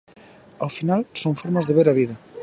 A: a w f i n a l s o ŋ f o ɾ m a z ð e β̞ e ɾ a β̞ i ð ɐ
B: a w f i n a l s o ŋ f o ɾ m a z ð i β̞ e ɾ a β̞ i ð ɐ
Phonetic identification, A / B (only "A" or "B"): A